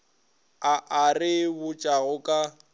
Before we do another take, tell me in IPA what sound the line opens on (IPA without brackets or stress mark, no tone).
a